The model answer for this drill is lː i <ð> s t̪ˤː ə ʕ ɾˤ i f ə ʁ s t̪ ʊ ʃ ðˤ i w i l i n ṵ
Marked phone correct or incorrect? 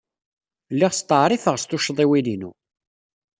incorrect